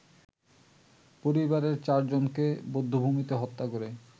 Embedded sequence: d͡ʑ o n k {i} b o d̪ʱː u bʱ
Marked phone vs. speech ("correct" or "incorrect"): incorrect